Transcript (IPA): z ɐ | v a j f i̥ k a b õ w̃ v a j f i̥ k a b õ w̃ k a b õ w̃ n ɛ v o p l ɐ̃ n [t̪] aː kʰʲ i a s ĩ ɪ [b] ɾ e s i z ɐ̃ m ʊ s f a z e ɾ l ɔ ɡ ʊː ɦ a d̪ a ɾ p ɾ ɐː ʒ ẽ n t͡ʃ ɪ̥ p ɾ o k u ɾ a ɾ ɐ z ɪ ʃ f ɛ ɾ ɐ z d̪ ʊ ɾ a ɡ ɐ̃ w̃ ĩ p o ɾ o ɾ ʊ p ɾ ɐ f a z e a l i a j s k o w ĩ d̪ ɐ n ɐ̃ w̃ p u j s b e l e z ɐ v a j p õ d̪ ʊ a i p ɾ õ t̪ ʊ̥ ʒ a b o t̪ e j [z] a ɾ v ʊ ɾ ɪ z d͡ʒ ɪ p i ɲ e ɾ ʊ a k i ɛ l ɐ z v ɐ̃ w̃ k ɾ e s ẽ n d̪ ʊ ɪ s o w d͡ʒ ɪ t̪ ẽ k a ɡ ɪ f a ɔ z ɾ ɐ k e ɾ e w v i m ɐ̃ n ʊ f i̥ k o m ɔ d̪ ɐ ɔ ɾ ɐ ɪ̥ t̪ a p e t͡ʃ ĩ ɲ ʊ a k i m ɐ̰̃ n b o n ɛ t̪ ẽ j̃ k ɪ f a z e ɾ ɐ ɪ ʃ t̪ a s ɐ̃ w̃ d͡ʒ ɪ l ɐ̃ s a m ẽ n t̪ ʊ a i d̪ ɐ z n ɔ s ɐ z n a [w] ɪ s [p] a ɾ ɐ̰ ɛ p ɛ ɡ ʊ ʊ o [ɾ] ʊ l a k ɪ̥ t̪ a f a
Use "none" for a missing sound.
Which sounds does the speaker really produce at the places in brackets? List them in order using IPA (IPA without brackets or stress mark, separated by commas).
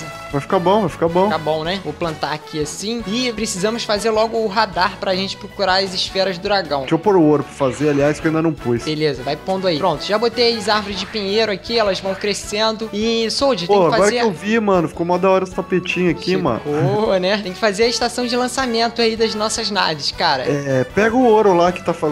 t̪, p, z, v, k, ɾ